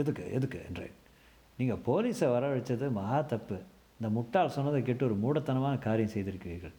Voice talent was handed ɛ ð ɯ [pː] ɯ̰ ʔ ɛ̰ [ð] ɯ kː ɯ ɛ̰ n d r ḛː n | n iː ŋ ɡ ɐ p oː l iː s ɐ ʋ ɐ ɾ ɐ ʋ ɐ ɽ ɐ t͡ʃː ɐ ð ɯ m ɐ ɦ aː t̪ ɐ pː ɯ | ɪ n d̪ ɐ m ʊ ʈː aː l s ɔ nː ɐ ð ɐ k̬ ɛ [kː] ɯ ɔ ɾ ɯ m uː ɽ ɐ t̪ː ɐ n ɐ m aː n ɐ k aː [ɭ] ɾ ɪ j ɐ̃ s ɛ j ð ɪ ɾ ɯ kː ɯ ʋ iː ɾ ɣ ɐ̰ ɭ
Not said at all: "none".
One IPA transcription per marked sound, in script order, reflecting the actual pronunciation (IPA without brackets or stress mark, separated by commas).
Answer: kː, ð, ʈː, none